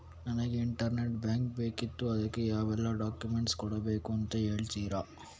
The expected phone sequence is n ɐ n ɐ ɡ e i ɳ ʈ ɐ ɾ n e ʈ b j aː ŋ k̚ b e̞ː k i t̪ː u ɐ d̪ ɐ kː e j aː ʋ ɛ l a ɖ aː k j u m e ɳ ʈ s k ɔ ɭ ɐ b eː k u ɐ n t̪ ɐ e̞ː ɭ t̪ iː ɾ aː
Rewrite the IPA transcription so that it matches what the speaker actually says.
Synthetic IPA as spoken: n ɐ n ɐ ɡ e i ɳ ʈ ɐ ɾ n e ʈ b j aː ŋ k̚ b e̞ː k i t̪ː u ɐ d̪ ɐ kː e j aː ʋ ɛ lː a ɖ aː k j u m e ɳ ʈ s k ɔ ɽ ɐ b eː k u ɐ n t̪ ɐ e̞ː ɭ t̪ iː ɾ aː